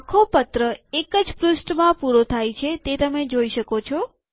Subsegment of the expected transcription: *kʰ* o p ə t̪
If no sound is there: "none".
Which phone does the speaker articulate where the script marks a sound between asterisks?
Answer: kʰ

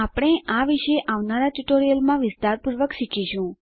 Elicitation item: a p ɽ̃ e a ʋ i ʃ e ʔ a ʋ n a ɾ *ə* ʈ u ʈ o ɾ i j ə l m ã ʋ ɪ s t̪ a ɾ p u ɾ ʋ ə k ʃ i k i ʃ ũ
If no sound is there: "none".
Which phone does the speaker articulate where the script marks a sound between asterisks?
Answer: a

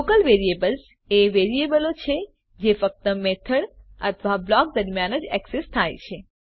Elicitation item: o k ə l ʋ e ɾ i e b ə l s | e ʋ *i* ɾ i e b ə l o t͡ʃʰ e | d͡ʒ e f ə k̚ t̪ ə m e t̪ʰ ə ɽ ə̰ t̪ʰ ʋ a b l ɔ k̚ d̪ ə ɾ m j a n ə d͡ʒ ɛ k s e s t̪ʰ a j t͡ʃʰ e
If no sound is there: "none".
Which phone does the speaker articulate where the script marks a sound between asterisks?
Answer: e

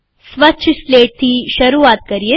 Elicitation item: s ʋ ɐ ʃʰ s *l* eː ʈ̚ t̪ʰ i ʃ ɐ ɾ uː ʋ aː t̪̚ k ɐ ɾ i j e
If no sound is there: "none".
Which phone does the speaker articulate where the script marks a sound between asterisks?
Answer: l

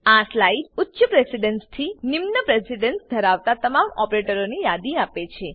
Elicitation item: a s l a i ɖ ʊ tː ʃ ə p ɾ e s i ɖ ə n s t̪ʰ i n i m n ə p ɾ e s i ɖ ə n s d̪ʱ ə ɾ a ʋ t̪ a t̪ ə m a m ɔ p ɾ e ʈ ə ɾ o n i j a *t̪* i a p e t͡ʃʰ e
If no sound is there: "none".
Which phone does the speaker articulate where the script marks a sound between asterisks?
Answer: d̪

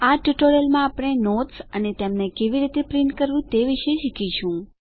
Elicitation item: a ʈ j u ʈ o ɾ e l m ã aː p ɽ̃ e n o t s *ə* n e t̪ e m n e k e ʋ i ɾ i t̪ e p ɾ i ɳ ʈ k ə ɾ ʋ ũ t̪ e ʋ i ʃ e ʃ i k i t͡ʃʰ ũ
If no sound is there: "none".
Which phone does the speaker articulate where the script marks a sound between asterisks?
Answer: ə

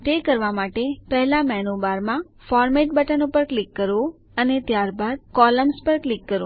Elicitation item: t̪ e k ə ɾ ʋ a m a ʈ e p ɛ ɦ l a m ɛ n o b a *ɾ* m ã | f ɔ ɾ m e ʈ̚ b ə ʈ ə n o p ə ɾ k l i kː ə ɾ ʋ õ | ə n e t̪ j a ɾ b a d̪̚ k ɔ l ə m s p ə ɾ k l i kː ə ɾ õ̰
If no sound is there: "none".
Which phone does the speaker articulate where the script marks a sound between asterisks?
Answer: ɾ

